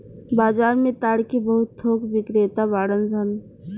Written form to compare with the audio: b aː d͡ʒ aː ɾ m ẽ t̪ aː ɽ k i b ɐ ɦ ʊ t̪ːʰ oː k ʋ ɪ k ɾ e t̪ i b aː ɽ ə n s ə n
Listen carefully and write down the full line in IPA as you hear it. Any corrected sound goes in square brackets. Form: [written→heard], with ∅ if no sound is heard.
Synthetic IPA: b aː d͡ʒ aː ɾ m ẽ t̪ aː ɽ k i b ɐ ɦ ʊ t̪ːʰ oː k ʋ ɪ k ɾ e t̪ [i→a] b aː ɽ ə n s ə n